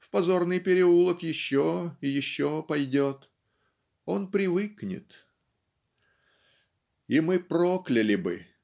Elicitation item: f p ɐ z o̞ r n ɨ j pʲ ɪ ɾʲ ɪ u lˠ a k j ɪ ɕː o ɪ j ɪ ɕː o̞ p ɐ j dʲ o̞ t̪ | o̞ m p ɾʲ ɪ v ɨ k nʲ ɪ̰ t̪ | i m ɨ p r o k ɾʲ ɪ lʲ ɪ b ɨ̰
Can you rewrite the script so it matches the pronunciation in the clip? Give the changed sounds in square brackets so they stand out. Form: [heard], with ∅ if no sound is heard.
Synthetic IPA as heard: f p ɐ z o̞ r n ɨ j pʲ ɪ ɾʲ ɪ u lˠ [ə] k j ɪ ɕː o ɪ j ɪ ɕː o̞ p ɐ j dʲ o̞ t̪ | o̞ [n] p ɾʲ ɪ v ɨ k nʲ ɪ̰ t̪ | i m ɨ p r o k [lʲ] ɪ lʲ ɪ b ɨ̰